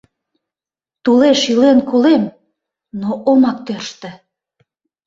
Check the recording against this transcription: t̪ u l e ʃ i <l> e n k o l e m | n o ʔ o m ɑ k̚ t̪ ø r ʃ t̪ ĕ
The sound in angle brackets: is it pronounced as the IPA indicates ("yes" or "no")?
yes